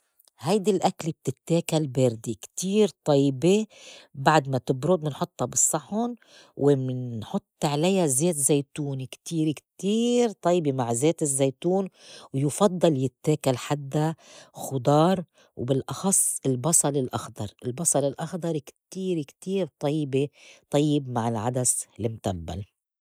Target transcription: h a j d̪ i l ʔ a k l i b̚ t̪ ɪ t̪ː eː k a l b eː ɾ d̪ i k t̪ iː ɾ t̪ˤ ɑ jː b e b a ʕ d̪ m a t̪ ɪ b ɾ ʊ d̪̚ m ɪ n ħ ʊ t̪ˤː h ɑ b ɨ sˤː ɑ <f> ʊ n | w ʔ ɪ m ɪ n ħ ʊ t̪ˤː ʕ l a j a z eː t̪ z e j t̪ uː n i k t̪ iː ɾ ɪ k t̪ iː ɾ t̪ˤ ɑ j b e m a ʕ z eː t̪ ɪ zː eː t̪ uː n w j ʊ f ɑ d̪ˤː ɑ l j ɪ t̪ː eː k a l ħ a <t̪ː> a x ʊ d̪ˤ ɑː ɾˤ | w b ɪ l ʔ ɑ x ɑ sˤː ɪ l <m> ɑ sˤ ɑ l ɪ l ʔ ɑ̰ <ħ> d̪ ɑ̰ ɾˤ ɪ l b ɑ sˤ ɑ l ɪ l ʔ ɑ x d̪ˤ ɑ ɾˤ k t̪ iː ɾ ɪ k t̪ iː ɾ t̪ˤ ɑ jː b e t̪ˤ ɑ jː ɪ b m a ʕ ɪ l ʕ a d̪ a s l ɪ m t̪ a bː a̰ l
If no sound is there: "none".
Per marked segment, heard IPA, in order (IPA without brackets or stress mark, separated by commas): ħ, d̪ː, b, x